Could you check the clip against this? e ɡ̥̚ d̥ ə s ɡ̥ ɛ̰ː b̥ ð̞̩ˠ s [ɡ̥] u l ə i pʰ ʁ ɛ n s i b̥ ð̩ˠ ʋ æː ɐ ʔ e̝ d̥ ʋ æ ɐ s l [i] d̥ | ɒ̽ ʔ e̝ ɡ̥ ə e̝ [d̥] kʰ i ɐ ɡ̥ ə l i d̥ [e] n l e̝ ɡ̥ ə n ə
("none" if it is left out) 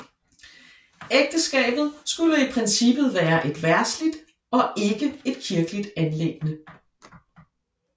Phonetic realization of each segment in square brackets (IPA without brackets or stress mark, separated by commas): ɡ̥, i, d̥, æ